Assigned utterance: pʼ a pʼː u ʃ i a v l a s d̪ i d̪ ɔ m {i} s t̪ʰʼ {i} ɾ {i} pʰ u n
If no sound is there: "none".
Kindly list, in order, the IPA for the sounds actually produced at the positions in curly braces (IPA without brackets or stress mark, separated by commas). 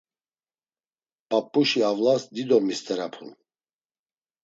i, ɛ, a